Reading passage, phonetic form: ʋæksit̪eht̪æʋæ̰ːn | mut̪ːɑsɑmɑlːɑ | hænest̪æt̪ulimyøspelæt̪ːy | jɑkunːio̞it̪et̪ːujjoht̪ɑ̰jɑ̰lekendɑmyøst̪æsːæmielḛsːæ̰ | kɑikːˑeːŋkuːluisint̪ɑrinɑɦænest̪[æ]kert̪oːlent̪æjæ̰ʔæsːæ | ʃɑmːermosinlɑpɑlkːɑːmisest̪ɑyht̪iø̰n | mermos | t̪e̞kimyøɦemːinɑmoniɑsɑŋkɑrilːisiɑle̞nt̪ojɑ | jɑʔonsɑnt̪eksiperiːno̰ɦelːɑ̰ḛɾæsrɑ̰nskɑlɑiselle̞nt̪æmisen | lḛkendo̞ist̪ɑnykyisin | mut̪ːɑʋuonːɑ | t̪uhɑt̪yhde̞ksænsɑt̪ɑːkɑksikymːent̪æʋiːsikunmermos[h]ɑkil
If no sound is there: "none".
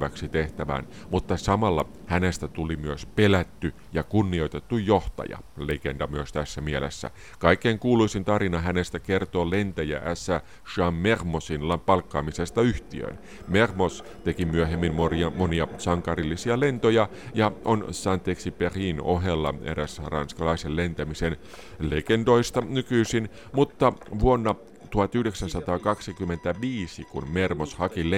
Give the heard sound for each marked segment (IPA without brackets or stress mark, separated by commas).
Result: æ, h